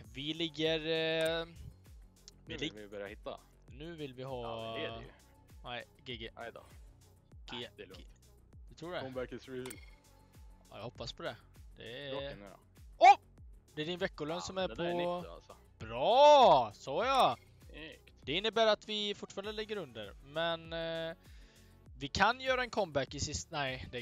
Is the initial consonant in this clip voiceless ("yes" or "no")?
no